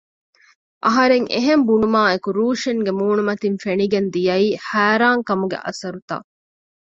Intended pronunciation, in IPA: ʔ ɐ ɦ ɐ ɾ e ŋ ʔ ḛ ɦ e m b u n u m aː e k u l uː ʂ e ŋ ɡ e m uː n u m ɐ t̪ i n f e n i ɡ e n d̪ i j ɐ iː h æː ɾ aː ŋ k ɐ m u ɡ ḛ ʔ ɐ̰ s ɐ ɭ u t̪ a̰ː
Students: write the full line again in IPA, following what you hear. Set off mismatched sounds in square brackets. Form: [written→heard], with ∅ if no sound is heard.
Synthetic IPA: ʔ ɐ ɦ ɐ ɾ e ŋ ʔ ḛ ɦ e m b u n u m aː e k u [l→ɾ] uː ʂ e ŋ ɡ e m uː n u m ɐ t̪ i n f e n i ɡ e n d̪ i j ɐ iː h æː ɾ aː ŋ k ɐ m u ɡ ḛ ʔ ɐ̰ s ɐ [ɭ→ɾ] u t̪ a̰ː